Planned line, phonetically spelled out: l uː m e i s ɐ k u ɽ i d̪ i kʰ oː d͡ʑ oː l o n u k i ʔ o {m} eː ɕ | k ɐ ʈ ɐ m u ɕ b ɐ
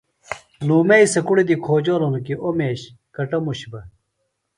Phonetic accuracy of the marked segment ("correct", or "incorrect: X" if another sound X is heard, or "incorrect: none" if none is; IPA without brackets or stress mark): correct